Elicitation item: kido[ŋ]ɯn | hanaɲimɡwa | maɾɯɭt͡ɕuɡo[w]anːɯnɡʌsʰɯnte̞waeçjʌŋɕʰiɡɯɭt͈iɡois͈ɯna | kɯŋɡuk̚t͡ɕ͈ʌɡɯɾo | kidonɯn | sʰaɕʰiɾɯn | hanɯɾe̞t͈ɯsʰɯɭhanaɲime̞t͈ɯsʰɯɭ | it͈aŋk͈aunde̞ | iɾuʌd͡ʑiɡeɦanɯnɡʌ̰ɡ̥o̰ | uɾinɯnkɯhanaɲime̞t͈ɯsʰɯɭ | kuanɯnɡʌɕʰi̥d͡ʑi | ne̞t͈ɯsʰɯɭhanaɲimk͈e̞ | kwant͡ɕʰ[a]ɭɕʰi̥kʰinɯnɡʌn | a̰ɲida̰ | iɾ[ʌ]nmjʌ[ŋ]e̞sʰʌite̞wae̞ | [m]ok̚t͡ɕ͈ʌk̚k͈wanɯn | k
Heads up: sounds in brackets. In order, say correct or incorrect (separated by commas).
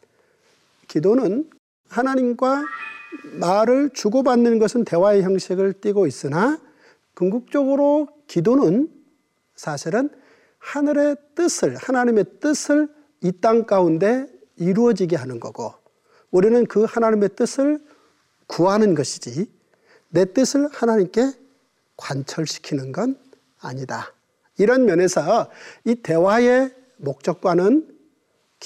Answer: incorrect, incorrect, incorrect, correct, incorrect, correct